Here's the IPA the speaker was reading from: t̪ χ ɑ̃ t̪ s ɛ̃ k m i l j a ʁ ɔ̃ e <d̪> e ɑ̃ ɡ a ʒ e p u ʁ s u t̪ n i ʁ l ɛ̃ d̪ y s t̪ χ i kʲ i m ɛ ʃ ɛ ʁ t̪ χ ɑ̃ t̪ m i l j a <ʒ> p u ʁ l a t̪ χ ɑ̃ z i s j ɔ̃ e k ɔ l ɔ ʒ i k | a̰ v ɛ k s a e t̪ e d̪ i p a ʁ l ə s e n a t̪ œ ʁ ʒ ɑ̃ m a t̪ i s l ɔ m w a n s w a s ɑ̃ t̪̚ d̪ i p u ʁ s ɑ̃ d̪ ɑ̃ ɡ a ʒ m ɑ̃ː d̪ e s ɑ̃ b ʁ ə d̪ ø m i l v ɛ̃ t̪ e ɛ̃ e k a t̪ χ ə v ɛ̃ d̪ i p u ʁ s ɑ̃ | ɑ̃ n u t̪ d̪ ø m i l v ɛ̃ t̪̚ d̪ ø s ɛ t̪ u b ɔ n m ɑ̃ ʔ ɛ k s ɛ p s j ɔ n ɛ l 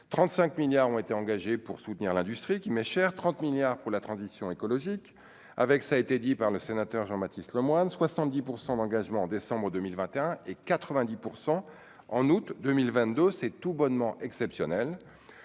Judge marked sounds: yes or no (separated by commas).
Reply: no, no